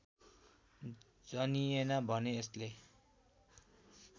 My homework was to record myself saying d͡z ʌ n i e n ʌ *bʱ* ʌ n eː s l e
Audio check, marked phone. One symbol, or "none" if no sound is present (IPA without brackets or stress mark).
bʱ